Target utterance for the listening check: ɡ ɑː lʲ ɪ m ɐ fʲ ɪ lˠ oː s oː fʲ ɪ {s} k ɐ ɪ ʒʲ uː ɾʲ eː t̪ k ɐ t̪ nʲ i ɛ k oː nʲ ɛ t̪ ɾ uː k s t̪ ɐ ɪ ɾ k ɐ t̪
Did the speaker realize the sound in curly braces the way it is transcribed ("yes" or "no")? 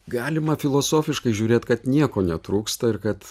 no